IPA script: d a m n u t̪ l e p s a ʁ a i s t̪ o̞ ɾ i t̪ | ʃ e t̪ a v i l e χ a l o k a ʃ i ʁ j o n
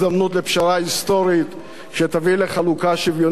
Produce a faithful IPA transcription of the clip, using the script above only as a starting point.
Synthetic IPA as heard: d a m n u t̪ l e p ʃ a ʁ a i s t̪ o̞ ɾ i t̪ | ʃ e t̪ a v i l e χ a l u k a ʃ i v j o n